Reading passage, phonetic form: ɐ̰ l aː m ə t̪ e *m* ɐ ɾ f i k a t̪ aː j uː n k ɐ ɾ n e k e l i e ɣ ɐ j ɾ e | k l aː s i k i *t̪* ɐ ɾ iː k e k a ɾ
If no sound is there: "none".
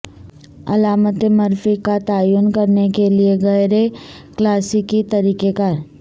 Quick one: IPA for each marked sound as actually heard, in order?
m, t̪

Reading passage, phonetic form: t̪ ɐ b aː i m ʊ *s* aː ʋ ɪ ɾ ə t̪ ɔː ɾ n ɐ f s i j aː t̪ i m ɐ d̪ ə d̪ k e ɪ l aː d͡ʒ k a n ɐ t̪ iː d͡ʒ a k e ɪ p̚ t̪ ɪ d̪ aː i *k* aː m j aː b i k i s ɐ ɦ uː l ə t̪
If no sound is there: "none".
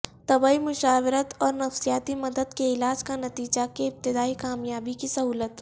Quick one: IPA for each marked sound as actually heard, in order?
ʃ, k

